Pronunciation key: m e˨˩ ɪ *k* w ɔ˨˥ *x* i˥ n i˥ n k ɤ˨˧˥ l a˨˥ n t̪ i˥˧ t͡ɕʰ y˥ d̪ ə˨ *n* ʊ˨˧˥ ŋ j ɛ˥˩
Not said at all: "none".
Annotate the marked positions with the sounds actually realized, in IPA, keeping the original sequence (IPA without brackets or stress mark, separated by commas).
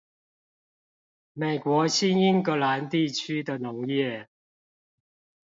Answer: k, ɕ, n